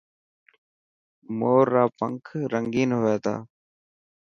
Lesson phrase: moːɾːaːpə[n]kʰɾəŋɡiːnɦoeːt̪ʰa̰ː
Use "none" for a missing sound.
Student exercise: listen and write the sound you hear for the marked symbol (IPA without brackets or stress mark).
ŋ